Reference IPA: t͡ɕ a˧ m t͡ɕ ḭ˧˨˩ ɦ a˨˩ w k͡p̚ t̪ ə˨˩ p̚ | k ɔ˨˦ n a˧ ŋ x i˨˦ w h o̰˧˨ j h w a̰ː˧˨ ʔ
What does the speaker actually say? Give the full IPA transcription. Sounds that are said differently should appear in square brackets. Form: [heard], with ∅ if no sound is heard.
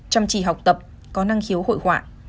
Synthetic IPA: t͡ɕ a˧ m t͡ɕ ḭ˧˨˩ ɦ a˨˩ w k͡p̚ t̪ ə˨˩ p̚ | k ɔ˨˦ n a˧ ŋ x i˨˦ w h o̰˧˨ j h w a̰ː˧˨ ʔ